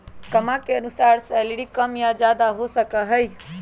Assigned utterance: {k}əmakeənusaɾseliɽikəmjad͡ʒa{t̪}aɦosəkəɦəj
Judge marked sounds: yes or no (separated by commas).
yes, no